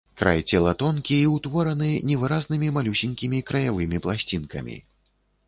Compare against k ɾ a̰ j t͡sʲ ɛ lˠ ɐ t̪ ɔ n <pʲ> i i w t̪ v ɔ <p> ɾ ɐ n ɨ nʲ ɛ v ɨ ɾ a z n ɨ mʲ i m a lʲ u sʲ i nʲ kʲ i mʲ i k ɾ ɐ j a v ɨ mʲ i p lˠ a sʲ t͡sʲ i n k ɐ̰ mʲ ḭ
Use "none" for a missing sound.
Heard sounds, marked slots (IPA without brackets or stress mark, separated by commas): kʲ, none